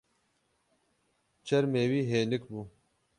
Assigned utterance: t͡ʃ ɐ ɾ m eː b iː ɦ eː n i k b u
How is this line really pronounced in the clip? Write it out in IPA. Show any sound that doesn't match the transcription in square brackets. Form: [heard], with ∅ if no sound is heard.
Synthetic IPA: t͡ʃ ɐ ɾ m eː [w] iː ɦ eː n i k b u